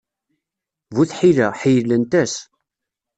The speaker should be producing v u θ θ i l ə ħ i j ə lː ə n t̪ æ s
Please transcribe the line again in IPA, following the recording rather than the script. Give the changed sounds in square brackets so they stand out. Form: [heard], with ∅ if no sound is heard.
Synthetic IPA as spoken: v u θ [ħ] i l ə ħ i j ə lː ə n t̪ æ s